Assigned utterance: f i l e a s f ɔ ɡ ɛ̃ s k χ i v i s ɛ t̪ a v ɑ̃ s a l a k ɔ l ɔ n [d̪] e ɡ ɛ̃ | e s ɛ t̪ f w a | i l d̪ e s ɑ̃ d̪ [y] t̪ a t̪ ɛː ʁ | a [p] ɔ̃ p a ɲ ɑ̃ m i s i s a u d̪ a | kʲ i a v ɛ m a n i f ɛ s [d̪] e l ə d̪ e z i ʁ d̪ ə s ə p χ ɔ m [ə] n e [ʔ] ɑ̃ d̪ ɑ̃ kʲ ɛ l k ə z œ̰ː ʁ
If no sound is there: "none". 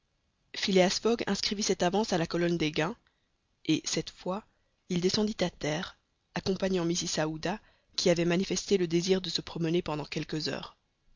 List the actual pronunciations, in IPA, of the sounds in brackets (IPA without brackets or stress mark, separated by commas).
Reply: d̪, i, k, t̪, ə, p